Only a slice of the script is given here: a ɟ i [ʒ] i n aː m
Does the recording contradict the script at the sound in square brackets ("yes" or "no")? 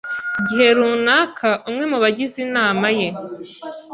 yes